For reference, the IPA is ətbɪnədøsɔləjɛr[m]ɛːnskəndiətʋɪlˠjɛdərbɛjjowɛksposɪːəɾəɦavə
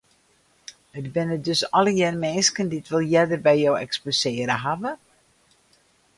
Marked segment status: correct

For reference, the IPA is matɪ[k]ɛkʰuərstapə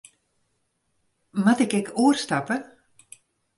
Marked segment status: correct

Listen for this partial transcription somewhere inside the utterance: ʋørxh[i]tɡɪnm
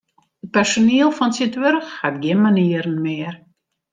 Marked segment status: incorrect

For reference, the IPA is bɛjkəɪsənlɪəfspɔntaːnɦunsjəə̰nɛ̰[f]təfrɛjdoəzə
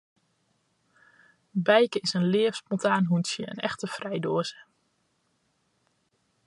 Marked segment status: incorrect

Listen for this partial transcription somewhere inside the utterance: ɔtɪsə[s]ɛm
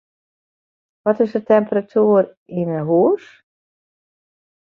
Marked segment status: incorrect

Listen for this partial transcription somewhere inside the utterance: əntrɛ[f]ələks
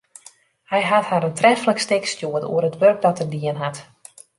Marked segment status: correct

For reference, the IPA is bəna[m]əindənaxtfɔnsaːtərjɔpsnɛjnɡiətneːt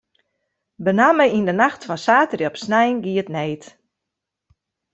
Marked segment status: correct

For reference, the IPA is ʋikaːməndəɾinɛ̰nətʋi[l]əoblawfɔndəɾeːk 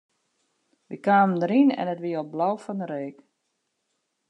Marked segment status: incorrect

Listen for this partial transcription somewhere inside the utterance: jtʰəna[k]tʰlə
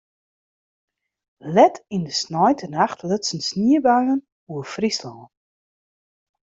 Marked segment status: incorrect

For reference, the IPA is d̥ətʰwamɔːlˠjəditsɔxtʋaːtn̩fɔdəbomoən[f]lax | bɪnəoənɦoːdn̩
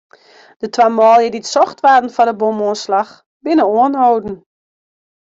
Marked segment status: incorrect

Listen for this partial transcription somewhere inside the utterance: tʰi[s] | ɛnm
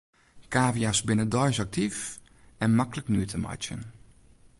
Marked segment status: incorrect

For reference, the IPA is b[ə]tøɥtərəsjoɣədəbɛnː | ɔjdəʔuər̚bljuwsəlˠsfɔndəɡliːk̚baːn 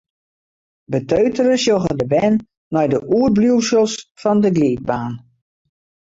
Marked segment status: correct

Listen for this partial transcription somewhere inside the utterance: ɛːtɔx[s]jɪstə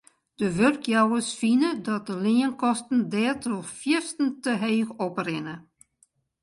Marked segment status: incorrect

